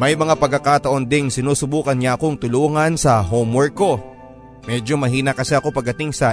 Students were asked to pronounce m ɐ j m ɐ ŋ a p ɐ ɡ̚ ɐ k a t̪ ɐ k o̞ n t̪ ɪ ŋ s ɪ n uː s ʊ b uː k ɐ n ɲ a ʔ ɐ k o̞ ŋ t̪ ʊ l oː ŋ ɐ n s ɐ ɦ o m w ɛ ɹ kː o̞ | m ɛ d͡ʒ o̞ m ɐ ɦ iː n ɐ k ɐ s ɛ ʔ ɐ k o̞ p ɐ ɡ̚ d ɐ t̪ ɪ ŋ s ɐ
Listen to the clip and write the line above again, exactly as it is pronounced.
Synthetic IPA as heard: m ɐ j m ɐ ŋ a p ɐ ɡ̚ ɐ k a t̪ ɐ ʔ o̞ n d̪ ɪ ŋ s ɪ n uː s ʊ b uː k ɐ n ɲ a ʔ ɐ k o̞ ŋ t̪ ʊ l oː ŋ ɐ n s ɐ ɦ o m w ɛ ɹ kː o̞ | m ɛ d͡ʒ o̞ m ɐ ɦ iː n ɐ k ɐ s ɛ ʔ ɐ k o̞ p ɐ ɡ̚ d ɐ t̪ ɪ ŋ s ɐ